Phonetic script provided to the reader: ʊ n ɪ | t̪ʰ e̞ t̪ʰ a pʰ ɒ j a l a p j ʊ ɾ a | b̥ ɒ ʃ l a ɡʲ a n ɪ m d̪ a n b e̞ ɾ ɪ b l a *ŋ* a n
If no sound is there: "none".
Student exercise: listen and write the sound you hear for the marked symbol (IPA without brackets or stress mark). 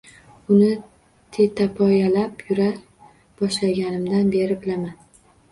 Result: m